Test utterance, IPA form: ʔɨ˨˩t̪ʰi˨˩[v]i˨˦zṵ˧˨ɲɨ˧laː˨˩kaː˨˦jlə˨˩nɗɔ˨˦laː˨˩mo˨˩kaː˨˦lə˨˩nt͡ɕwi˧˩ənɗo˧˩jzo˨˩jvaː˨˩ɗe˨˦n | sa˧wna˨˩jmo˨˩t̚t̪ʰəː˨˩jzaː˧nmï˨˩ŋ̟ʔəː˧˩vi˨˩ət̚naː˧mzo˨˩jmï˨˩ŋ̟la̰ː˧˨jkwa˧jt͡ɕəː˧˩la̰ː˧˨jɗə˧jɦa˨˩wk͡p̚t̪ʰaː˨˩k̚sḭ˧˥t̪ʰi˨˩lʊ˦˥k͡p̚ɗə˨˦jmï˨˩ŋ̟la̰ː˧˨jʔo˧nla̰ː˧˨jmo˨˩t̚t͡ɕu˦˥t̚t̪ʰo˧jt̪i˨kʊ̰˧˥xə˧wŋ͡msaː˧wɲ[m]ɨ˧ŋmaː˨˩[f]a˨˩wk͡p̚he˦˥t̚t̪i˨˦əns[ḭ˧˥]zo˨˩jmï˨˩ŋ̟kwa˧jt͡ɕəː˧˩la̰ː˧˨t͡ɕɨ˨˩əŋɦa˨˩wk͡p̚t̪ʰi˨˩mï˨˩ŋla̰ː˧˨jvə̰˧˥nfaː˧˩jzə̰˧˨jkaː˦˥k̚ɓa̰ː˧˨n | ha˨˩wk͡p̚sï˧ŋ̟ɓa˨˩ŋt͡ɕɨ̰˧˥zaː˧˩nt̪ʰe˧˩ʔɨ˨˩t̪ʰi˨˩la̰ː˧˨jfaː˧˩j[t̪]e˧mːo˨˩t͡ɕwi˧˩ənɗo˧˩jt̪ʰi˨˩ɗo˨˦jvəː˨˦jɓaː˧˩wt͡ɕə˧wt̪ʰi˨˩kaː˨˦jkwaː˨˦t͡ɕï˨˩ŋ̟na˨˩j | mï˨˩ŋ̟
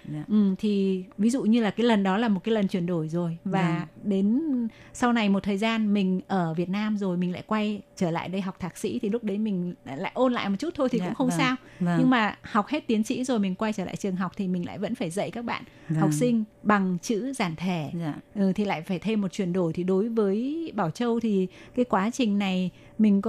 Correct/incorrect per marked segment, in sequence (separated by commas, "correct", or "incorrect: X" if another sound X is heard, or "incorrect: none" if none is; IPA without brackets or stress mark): correct, incorrect: ɲ, incorrect: h, correct, incorrect: t̪ʰ